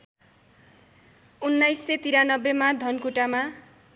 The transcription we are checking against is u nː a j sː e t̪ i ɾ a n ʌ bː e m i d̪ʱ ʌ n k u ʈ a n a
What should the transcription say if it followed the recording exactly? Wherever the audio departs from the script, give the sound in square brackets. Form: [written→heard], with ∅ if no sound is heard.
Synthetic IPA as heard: u nː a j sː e t̪ i ɾ a n ʌ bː e m [i→a] d̪ʱ ʌ n k u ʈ a [n→m] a